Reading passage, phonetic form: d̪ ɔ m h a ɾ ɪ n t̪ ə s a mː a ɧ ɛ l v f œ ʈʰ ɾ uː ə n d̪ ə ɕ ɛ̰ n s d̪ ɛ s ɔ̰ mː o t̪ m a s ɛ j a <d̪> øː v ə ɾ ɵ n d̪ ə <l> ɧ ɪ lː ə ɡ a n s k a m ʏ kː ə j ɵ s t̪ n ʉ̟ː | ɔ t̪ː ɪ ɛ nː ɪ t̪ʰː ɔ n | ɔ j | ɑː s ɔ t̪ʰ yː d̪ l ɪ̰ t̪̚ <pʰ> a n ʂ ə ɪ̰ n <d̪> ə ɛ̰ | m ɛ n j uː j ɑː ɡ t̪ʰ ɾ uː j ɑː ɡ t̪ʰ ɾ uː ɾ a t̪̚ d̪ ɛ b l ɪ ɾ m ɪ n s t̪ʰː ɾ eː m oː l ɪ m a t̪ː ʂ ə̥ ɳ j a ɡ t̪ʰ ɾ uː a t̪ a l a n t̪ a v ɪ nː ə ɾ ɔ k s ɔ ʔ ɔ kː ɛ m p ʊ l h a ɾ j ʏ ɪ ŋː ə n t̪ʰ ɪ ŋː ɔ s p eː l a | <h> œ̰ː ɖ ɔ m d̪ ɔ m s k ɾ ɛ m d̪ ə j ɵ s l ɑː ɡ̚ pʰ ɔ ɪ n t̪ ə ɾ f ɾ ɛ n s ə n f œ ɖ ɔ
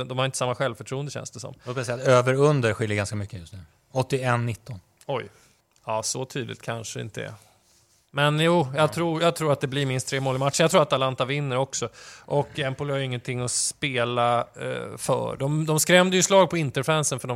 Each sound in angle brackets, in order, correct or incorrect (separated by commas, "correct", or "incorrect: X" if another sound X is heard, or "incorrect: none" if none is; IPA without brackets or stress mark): incorrect: t̪, incorrect: ɾ, incorrect: kʰ, incorrect: t̪, incorrect: f